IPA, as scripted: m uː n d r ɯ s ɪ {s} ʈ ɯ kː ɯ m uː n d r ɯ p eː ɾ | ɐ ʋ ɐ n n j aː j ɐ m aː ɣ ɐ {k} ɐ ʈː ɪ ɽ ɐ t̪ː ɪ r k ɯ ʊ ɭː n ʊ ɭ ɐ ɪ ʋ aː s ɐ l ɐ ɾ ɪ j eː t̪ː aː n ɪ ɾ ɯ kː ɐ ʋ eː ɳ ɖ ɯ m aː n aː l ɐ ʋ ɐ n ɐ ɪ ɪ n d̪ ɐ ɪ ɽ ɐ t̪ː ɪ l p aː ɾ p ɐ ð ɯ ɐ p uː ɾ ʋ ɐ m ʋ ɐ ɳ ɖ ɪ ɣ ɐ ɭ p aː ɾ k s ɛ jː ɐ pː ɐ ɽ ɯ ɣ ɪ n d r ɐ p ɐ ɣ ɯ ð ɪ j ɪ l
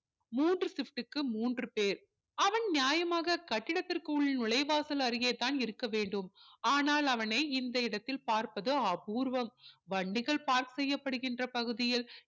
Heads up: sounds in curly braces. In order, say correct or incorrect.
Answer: incorrect, correct

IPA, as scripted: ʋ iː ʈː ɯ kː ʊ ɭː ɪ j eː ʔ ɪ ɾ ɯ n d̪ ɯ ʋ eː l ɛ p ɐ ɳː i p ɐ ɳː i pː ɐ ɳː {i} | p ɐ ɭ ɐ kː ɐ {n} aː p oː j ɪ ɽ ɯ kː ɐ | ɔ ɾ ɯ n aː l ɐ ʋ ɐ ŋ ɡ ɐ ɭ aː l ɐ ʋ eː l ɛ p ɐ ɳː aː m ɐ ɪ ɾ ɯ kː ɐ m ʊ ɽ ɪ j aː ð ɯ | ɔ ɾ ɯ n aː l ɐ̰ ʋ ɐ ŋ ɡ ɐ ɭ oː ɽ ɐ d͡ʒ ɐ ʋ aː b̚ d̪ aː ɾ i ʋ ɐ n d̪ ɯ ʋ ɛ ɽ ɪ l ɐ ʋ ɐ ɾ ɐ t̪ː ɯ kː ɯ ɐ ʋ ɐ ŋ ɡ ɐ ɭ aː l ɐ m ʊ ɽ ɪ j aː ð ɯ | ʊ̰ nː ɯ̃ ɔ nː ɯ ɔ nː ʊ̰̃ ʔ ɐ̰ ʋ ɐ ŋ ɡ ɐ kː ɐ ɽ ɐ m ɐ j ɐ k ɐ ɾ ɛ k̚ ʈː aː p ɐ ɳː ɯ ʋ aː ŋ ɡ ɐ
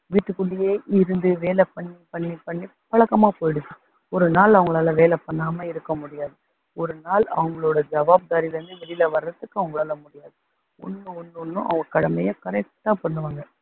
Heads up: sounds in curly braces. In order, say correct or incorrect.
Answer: correct, incorrect

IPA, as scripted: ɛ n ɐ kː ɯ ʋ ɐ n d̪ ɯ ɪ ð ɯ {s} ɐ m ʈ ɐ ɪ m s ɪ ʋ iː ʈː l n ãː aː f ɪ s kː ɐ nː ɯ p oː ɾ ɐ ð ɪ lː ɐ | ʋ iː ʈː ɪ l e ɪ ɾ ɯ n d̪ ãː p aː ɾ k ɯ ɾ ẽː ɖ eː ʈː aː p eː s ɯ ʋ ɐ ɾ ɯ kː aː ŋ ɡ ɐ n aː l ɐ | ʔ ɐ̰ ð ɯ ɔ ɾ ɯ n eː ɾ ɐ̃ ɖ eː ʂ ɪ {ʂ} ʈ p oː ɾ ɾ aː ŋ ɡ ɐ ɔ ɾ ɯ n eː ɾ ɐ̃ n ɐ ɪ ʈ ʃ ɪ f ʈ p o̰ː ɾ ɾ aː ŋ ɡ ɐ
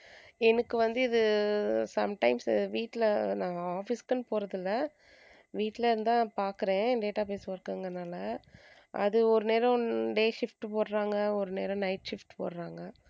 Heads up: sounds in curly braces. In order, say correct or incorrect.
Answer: correct, incorrect

